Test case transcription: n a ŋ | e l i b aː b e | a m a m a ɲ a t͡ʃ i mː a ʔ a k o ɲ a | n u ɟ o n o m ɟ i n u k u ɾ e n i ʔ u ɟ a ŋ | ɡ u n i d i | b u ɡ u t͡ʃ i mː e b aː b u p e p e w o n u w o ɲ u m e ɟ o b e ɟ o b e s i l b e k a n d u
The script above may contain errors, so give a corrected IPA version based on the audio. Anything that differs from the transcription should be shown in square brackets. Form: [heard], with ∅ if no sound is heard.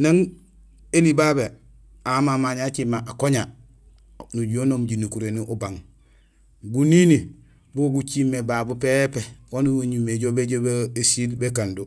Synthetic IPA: n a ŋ | e l i b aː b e | a m a m a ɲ a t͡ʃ i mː a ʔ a k o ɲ a | n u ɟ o n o m ɟ i n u k u ɾ e n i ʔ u [b] a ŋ | ɡ u n i [n] i | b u ɡ u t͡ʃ i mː e b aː b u p e p e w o n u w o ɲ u m e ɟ o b e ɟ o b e s i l b e k a n d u